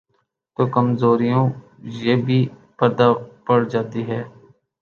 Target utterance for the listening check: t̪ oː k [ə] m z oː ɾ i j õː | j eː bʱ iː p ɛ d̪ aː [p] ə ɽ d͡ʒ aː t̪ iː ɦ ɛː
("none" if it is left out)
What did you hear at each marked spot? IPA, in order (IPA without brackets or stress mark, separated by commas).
ə, p